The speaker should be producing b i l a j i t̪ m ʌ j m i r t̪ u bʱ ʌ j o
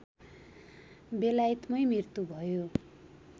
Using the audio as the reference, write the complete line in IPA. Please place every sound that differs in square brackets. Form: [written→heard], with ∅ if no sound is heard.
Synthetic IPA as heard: b [i→e] l a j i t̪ m ʌ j m i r t̪ u bʱ ʌ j o